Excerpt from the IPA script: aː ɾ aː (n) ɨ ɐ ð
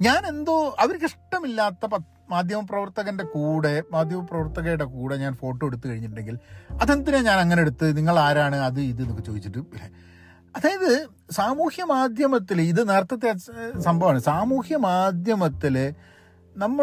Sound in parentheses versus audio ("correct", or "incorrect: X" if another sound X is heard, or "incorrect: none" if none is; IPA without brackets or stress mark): incorrect: ɳ